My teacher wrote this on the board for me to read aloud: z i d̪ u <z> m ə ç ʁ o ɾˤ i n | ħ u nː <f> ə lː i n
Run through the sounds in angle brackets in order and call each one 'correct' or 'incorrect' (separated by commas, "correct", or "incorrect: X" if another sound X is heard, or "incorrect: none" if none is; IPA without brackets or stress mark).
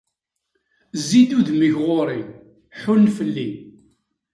incorrect: ð, correct